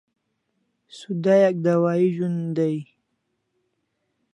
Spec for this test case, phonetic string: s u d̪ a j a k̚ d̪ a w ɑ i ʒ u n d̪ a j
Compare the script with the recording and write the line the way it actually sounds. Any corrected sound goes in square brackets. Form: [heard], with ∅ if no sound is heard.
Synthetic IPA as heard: s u d̪ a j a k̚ d̪ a w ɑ i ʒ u n d̪ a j